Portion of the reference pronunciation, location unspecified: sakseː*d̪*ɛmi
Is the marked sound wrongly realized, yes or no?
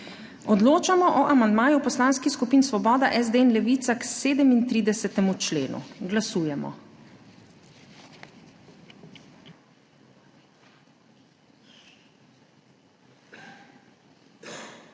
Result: no